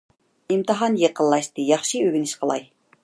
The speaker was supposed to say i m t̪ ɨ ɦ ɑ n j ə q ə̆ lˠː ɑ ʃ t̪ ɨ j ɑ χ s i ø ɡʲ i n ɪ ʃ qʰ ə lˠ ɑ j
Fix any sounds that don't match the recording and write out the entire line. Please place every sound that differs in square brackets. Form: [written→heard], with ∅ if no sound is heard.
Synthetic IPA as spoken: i m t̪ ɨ ɦ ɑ n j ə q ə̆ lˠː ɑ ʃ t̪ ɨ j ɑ χ [s→ʃ] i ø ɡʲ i n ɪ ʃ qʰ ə lˠ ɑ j